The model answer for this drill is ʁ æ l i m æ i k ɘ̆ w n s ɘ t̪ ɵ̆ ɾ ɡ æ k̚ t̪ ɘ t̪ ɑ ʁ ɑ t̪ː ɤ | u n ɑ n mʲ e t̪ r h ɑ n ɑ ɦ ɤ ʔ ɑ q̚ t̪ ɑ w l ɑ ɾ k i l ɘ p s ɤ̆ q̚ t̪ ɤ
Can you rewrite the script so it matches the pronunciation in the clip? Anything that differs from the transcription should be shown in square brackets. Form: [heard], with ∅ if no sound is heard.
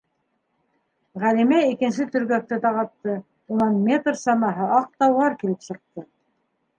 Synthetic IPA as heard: ʁ æ l i m æ i k ɘ̆ [∅] n s ɘ t̪ ɵ̆ ɾ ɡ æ k̚ t̪ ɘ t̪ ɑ ʁ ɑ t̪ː ɤ | u n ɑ n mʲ e t̪ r [s] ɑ n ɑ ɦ ɤ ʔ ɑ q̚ t̪ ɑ w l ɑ ɾ k i l ɘ p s ɤ̆ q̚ t̪ ɤ